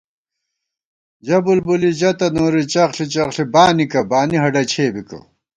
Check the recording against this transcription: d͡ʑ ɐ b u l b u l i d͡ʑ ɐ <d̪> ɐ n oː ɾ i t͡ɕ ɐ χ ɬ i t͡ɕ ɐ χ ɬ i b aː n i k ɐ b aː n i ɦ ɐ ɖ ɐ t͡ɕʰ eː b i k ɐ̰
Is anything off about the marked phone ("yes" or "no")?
yes